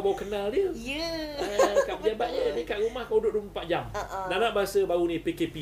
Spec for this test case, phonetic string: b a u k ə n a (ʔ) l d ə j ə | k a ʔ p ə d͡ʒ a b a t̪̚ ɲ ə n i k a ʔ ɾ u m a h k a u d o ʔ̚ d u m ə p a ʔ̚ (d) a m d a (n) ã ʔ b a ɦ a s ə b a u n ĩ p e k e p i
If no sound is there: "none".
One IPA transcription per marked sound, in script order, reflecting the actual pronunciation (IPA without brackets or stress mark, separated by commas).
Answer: none, d͡ʒ, n